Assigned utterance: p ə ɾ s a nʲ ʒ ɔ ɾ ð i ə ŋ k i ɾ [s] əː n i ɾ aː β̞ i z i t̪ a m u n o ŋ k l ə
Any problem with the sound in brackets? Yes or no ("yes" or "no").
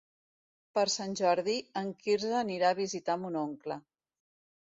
yes